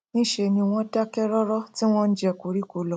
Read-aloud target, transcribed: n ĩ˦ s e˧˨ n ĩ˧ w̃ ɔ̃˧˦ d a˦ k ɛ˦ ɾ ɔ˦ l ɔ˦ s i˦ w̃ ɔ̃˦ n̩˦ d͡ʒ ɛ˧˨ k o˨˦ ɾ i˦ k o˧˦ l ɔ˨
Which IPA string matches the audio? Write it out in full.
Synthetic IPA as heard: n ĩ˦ ʃ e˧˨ n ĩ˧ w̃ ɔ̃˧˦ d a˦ k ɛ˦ ɾ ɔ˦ ɾ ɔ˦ t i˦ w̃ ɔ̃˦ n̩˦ d͡ʒ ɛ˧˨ k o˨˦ ɾ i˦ k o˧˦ l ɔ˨